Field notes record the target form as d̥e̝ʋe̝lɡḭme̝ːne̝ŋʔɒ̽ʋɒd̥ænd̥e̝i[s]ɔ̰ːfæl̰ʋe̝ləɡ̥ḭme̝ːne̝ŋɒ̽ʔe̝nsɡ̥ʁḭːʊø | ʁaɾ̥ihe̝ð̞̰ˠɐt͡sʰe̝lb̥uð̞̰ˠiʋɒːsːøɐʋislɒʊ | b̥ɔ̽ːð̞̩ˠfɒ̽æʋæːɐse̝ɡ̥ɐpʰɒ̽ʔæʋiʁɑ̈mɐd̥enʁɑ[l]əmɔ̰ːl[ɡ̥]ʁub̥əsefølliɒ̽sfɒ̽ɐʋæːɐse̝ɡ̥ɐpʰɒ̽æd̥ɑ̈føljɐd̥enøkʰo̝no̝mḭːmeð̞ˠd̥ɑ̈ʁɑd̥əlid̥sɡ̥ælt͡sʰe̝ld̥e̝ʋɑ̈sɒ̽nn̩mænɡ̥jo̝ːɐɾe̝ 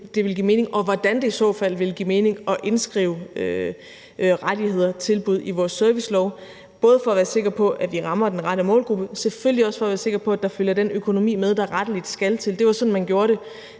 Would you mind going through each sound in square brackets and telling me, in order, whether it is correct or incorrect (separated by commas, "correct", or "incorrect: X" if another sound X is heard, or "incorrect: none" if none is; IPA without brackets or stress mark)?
correct, incorrect: ɾ, correct